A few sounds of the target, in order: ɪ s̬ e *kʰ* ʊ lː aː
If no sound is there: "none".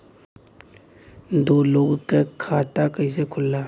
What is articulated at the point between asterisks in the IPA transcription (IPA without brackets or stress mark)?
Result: kʰ